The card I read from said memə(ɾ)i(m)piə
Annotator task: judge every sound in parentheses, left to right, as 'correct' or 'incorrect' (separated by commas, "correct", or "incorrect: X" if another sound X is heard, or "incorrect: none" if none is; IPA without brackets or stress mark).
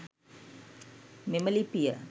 incorrect: l, incorrect: none